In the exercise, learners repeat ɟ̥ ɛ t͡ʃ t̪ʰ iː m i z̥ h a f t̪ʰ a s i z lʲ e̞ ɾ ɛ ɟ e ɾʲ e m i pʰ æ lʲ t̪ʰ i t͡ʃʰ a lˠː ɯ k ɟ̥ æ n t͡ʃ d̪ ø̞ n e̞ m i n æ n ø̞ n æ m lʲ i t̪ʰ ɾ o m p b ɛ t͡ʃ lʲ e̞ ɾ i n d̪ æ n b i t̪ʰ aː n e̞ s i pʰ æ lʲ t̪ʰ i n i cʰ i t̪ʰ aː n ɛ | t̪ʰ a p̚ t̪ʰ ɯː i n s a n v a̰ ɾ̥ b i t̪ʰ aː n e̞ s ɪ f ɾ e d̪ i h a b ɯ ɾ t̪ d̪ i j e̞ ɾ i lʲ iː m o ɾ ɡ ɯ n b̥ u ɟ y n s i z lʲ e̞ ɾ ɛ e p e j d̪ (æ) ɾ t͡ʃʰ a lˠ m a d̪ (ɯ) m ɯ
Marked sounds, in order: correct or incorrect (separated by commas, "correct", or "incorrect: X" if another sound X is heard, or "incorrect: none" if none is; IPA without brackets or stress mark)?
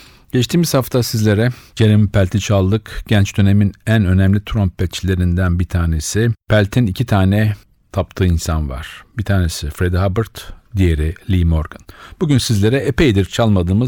incorrect: i, incorrect: ɯː